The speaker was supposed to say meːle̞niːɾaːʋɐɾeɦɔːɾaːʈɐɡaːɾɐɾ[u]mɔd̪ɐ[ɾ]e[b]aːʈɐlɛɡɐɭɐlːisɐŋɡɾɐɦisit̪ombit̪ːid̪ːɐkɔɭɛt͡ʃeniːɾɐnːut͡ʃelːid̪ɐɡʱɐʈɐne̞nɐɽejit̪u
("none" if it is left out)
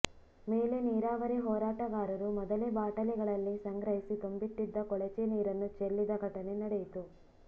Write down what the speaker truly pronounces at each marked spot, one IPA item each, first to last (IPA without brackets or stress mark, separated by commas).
u, l, b